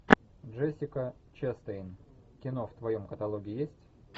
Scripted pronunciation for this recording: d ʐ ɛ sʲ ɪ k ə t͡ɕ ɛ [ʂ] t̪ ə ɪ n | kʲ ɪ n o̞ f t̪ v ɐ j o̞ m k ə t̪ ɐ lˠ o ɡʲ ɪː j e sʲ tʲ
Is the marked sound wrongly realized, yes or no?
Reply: yes